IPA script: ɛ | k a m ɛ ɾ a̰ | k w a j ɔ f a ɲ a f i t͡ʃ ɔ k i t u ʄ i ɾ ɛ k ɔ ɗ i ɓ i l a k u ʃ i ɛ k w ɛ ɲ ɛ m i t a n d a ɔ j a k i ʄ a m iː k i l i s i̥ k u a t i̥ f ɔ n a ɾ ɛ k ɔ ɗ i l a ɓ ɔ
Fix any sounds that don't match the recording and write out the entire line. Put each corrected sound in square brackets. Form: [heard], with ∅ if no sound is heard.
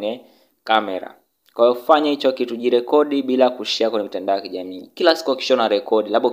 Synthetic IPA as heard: ɛ | k a m ɛ ɾ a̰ | k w a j ɔ f a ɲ a [h] i t͡ʃ ɔ k i t u ʄ i ɾ ɛ k ɔ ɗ i ɓ i l a k u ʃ i [a] k w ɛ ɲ ɛ m i t a n d a ɔ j a k i ʄ a m iː k i l [a] s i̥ k u a [k] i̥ [ʃ] ɔ n a ɾ ɛ k ɔ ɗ i l a ɓ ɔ